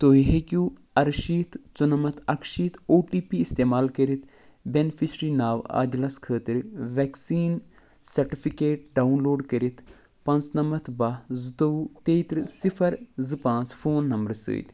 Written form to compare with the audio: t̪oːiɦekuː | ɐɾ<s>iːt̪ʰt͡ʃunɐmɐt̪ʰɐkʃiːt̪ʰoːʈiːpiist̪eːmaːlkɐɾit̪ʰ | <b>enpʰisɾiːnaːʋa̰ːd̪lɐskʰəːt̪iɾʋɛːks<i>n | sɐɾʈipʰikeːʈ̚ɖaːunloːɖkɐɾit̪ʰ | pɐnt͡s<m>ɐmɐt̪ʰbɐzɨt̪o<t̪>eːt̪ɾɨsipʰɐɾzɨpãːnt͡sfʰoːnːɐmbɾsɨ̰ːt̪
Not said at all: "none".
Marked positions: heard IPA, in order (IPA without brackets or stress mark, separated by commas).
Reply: ʃ, b, iː, n, t̪